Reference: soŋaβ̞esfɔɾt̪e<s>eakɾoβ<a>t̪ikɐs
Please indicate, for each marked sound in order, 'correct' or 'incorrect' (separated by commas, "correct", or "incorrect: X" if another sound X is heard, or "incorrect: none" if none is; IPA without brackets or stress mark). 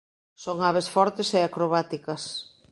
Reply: correct, correct